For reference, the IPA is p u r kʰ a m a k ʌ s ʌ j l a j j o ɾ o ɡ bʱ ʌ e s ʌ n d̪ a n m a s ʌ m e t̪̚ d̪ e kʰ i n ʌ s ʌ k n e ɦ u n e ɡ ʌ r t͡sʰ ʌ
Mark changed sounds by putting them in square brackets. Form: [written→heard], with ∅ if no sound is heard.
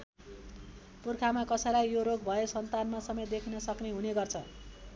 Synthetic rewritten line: p u r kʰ a m a k ʌ s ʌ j l a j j o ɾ o ɡ bʱ ʌ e s ʌ n [d̪→t̪] a n m a s ʌ m e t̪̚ d̪ e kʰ i n ʌ s ʌ k n e ɦ u n e ɡ ʌ r t͡sʰ ʌ

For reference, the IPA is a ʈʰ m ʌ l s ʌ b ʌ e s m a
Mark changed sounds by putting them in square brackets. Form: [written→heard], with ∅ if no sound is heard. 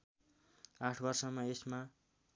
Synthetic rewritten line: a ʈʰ [m→b] ʌ [l→r] s ʌ [b→m] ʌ e s m a

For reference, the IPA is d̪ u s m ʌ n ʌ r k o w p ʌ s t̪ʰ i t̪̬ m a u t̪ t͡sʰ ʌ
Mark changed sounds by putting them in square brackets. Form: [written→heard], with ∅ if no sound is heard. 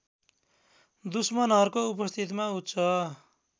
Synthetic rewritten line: d̪ u s m ʌ n ʌ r k o [w→u] p ʌ s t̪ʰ i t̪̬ m a u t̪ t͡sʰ ʌ

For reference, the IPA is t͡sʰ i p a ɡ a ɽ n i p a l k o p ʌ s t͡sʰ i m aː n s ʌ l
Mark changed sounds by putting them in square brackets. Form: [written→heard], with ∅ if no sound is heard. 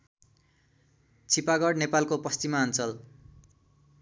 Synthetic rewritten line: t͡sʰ i p a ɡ [a→ʌ] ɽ n [i→e] p a l k o p ʌ s [t͡sʰ→t͡s] i m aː n [s→t͡s] ʌ l

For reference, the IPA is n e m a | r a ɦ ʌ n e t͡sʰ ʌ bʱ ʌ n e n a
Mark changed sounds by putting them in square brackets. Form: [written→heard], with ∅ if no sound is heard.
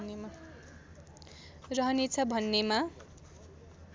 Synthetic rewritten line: n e m a | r [a→ʌ] ɦ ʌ n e t͡sʰ ʌ bʱ ʌ [n→nː] e [n→m] a

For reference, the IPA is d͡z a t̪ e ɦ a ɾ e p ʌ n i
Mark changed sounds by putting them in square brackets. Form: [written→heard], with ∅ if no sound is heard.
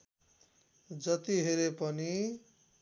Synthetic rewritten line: d͡z [a→ʌ] t̪ [e→i] ɦ [a→e] ɾ e p ʌ n i

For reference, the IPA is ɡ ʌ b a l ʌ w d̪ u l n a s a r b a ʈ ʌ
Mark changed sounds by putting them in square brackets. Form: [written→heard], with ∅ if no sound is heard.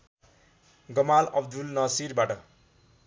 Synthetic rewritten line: ɡ ʌ [b→m] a l ʌ [w→b] d̪ u l n [a→ʌ] s [a→i] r b a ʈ ʌ

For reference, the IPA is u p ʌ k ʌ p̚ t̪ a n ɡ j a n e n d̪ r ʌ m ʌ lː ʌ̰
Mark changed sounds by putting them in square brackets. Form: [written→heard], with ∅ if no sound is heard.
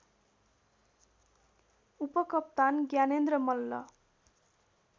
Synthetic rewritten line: u p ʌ k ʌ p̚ t̪ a n ɡ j a n e n d̪ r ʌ m ʌ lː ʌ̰

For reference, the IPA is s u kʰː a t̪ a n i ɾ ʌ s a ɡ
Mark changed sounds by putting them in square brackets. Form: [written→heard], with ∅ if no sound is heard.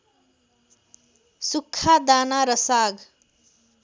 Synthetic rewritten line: s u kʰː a [t̪→d̪] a n [i→a] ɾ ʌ s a ɡ

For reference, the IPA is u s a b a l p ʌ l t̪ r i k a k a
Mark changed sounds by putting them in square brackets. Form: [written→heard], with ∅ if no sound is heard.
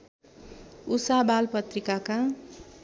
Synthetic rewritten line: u s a b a l p ʌ [l→∅] t̪ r i k a k a

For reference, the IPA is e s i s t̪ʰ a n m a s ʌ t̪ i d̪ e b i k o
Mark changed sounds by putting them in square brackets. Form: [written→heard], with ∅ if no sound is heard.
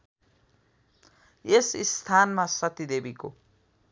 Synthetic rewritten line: e s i s t̪ʰ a n m a s ʌ t̪ i d̪ e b i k o

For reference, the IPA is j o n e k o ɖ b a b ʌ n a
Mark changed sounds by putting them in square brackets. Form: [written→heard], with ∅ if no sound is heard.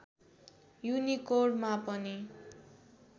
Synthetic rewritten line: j [o→u] n [e→i] k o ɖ [b→m] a [b→p] ʌ n [a→i]

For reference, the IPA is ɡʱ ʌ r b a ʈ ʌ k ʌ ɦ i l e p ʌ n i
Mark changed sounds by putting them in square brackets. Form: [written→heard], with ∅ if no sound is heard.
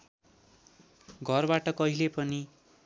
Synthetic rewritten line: ɡʱ ʌ r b a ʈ ʌ k ʌ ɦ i l e p ʌ n i

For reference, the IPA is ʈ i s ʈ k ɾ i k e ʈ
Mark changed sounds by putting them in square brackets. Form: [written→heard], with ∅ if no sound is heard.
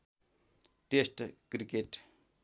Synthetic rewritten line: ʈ [i→e] s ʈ k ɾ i k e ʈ

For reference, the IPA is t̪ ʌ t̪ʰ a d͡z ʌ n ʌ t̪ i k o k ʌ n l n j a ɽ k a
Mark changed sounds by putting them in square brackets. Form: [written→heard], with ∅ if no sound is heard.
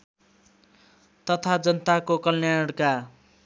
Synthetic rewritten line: t̪ ʌ t̪ʰ a d͡z ʌ n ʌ t̪ [i→a] k o k ʌ [n→∅] l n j a ɽ k a

